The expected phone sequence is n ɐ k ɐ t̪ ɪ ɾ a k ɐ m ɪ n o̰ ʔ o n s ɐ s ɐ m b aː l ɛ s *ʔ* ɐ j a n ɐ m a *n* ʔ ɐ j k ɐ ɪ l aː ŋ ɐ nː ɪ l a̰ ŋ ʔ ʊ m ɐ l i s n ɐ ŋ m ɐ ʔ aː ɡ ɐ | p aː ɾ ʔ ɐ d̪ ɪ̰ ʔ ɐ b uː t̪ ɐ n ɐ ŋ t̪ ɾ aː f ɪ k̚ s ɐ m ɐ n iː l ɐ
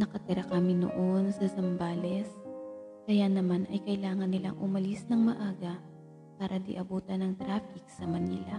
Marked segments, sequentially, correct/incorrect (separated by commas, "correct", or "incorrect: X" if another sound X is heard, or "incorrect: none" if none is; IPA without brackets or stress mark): incorrect: k, correct